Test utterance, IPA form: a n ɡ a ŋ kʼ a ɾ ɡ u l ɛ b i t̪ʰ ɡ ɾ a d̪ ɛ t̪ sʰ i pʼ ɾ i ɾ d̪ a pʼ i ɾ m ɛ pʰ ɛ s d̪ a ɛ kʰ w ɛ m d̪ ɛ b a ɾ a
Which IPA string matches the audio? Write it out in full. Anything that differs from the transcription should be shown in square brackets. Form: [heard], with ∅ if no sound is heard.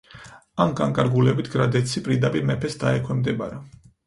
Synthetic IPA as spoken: a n ɡ a ŋ kʼ a ɾ ɡ u l ɛ b i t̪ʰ ɡ ɾ a d̪ ɛ t̪ sʰ i pʼ ɾ i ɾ d̪ a pʼ i ɾ m ɛ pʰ ɛ s d̪ a ɛ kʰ w ɛ m d̪ ɛ b a ɾ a